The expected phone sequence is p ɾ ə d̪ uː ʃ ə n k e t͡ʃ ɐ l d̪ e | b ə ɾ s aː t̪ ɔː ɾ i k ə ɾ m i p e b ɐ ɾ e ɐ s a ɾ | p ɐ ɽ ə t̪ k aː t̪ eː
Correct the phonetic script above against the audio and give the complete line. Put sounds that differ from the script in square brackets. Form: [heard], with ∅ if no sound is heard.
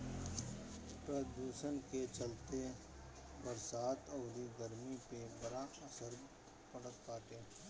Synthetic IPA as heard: p ɾ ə d̪ uː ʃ ə n k e t͡ʃ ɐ l [t̪] e | b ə ɾ s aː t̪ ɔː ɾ i [ɡ] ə ɾ m i p e b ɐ ɾ [a] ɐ s [ə] ɾ | p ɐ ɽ ə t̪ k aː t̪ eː